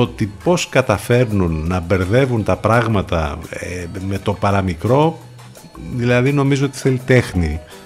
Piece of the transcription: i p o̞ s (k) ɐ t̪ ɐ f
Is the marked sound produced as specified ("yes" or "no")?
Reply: yes